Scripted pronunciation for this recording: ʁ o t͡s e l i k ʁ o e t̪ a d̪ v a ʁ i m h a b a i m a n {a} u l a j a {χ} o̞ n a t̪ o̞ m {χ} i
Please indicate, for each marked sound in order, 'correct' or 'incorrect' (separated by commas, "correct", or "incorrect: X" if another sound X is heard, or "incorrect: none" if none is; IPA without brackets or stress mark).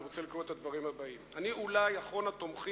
incorrect: i, correct, correct